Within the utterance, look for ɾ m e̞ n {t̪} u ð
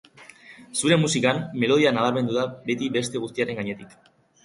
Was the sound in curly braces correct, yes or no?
no